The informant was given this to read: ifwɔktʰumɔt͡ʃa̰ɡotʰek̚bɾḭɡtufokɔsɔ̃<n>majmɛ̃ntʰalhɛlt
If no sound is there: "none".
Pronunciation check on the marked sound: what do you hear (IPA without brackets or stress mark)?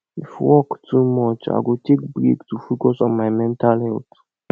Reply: n